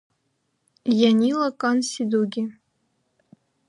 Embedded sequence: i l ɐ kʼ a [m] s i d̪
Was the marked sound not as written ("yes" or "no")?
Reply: yes